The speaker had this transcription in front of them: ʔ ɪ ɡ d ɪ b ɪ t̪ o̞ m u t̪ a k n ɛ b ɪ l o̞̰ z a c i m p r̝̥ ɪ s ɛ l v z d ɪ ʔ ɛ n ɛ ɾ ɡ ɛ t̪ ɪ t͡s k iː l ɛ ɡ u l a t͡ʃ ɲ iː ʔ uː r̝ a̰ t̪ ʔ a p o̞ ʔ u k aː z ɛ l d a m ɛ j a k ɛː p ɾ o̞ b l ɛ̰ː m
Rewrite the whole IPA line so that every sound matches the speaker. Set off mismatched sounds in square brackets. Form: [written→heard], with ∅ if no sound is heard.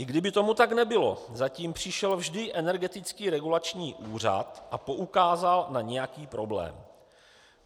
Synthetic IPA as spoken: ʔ ɪ ɡ d ɪ b ɪ t̪ o̞ m u t̪ a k n ɛ b ɪ l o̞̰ z a c [i→iː] m p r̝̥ ɪ [s→ʃ] ɛ l v [z→ʒ] d ɪ ʔ ɛ n ɛ ɾ ɡ ɛ t̪ ɪ t͡s k iː [l→ɾ] ɛ ɡ u l a t͡ʃ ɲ iː ʔ uː r̝ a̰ t̪ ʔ a p o̞ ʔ u k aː z [ɛ→a] l [d→n] a [m→ɲ] ɛ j a k [ɛː→iː] p ɾ o̞ b l ɛ̰ː m

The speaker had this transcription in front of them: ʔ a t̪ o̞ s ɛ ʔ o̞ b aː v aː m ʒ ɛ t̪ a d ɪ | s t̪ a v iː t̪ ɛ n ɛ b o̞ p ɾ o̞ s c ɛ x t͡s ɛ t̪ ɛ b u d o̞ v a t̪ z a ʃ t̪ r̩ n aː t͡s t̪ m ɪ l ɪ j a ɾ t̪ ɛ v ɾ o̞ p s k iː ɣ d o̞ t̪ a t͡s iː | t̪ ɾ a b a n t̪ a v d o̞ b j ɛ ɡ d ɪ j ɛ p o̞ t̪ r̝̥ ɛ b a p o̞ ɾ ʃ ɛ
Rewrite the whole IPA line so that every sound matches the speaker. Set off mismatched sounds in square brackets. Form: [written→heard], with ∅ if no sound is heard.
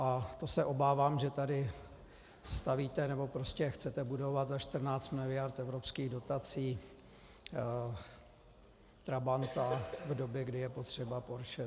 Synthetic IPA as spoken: ʔ a t̪ o̞ s ɛ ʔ o̞ b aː v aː m ʒ ɛ t̪ a d ɪ | s t̪ a v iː t̪ ɛ n ɛ b o̞ p ɾ o̞ s c ɛ x t͡s ɛ t̪ ɛ b u d o̞ v a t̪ z a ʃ t̪ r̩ n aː t͡s t̪ m ɪ l ɪ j a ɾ t̪ ɛ v ɾ o̞ p s k iː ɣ d o̞ t̪ a t͡s iː | t̪ ɾ a b a n t̪ a v d o̞ b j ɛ ɡ d ɪ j ɛ p o̞ t̪ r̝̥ ɛ b a p o̞ ɾ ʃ ɛ

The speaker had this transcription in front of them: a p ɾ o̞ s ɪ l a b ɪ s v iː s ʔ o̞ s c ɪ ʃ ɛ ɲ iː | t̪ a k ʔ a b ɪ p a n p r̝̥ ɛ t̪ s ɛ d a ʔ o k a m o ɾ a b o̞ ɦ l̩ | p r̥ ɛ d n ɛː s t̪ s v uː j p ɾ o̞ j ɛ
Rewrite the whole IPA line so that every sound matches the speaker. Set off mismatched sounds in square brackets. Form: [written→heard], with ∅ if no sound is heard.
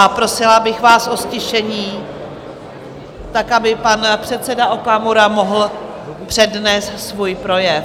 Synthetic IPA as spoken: a p ɾ o̞ s ɪ l a b ɪ [s→x] v [iː→aː] s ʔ o̞ s c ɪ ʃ ɛ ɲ iː | t̪ a k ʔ a b ɪ p a n p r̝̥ ɛ t̪ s ɛ d a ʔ o k a m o ɾ a [b→m] o̞ ɦ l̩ | p r̥ ɛ d n ɛː s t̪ s v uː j p ɾ o̞ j ɛ

